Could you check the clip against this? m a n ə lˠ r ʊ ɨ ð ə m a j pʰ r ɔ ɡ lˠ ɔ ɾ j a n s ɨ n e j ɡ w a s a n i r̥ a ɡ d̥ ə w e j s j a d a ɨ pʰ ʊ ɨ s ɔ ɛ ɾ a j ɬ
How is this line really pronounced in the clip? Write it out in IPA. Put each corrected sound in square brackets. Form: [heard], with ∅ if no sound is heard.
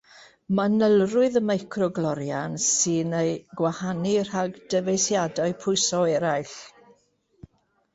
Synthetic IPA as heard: m a n ə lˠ r ʊ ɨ ð ə m a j [kʰ] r ɔ ɡ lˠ ɔ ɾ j a n s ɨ n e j ɡ w a [h] a n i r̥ a ɡ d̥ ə [v] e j s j a d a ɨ pʰ ʊ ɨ s ɔ ɛ ɾ a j ɬ

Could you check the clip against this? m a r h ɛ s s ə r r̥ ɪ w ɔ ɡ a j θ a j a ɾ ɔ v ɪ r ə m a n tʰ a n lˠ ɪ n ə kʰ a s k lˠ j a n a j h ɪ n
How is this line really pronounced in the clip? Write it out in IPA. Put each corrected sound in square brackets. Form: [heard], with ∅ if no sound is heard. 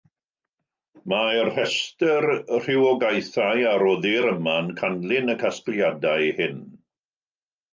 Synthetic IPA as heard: m a r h ɛ s [t] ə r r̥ ɪ w ɔ ɡ a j θ a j a ɾ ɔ [ð] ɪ [ɾ] ə m a n [kʰ] a n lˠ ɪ n ə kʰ a s k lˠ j a [d] a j h ɪ n

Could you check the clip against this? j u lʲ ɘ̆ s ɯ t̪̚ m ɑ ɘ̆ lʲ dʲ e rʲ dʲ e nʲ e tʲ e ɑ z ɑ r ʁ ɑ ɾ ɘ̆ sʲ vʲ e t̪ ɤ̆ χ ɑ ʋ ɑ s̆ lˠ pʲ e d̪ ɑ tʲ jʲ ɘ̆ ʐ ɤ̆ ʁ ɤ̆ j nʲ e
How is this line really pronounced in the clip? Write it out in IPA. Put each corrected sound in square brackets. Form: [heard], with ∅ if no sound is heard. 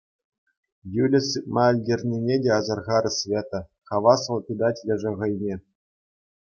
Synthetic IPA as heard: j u lʲ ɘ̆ s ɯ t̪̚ m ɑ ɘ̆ lʲ dʲ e rʲ [nʲ] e nʲ e [dʲ] e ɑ z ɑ r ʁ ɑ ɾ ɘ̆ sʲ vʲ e t̪ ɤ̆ χ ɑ ʋ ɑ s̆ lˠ pʲ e d̪ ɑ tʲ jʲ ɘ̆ ʐ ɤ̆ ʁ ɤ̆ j nʲ e

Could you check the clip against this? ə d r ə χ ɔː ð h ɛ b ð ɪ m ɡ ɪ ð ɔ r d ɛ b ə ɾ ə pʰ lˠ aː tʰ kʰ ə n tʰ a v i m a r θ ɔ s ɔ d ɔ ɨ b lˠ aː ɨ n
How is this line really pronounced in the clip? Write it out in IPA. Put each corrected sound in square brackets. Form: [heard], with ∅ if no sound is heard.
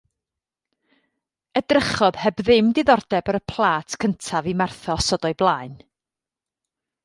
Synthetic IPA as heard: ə d r ə χ [ɔ] ð h ɛ b ð ɪ m [d] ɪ ð ɔ r d ɛ b ə ɾ ə pʰ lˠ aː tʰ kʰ ə n tʰ a v i m a r θ ɔ s ɔ d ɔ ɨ b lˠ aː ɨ n

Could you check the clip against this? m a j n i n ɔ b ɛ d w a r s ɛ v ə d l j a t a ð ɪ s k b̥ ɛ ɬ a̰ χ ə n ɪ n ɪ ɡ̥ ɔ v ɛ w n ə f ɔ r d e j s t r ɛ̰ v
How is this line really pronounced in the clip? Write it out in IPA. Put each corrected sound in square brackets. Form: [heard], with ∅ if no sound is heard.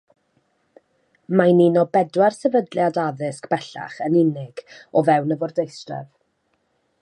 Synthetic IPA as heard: m a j n i n ɔ b ɛ d w a r s ɛ v ə d l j a [d] a ð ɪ s k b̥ ɛ ɬ a̰ χ ə n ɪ n ɪ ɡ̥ ɔ v ɛ w n ə [v] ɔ r d e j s t r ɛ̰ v

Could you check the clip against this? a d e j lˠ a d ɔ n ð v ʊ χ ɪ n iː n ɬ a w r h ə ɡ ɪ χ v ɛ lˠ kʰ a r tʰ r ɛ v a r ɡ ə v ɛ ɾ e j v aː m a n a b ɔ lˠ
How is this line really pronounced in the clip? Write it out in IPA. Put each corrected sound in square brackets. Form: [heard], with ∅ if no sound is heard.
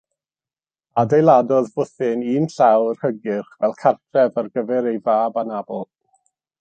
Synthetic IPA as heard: a d e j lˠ a d ɔ [∅] ð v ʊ [θ] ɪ n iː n ɬ a w r h ə ɡ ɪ χ v ɛ lˠ kʰ a r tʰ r ɛ v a r ɡ ə v ɛ ɾ e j v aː [b] a n a b ɔ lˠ

